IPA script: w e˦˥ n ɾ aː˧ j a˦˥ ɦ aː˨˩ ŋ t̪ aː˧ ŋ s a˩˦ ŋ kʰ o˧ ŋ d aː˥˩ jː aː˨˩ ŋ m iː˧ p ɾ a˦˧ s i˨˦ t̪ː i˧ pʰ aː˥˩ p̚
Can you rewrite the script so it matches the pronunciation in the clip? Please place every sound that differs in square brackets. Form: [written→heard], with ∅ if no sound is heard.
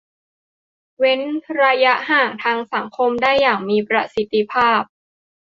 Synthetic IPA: w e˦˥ n ɾ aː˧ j a˦˥ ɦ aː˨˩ ŋ [t̪→t̪ʰ] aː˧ ŋ s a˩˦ ŋ kʰ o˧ [ŋ→m] d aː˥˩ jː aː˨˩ ŋ m iː˧ p ɾ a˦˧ s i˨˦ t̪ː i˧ pʰ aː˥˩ p̚